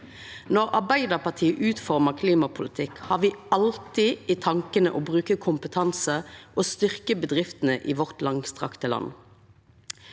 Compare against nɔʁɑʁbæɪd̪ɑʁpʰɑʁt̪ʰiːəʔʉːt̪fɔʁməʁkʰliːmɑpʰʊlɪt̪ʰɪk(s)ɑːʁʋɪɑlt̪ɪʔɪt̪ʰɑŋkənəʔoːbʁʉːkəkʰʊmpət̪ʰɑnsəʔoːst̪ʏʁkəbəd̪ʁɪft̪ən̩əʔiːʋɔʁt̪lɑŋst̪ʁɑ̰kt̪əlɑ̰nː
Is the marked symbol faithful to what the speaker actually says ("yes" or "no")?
no